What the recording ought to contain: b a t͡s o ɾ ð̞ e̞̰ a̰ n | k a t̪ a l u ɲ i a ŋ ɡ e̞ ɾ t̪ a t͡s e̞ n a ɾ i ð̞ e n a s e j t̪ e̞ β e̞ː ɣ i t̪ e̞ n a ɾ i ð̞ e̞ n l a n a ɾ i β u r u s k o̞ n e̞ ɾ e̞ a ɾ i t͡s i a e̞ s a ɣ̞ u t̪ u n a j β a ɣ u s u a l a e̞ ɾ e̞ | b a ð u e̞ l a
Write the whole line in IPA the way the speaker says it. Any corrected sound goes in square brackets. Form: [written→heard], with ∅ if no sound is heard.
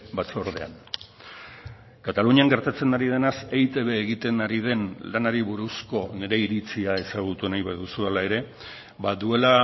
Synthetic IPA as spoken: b a t͡s o ɾ ð̞ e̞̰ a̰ n | k a t̪ a l u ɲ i a ŋ ɡ e̞ ɾ t̪ a t͡s e̞ n a ɾ i ð̞ e n a s e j t̪ e̞ β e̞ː ɣ i t̪ e̞ n a ɾ i ð̞ e̞ n l a n a ɾ i β u [r→ɾ] u s k o̞ n e̞ ɾ e̞ [a→i] ɾ i t͡s i a e̞ s a ɣ̞ u t̪ u n a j β a [ɣ→ð] u s u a l a e̞ ɾ e̞ | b a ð u e̞ l a